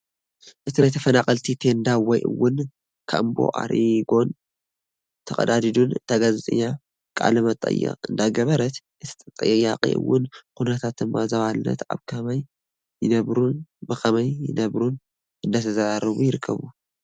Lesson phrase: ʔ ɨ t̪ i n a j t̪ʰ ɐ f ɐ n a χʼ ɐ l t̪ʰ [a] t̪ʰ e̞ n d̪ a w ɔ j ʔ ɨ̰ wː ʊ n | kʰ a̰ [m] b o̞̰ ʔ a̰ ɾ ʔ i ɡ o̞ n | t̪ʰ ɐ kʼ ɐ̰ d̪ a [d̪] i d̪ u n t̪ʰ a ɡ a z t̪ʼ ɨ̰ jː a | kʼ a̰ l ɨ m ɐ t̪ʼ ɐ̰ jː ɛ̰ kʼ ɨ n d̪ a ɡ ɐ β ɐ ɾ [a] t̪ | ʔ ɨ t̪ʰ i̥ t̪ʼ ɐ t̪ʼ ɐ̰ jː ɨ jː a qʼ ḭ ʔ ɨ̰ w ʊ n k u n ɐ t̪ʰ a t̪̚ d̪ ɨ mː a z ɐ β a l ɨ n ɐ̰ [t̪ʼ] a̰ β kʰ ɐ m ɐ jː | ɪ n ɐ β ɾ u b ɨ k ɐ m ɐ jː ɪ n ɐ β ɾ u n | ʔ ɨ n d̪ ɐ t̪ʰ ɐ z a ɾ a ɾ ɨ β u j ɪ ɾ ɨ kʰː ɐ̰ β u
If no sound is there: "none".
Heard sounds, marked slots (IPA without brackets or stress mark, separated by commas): i, m, d̪, ɐ, t̪